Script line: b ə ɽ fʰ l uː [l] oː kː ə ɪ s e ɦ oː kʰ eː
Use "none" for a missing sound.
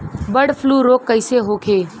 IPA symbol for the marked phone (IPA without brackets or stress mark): ɾ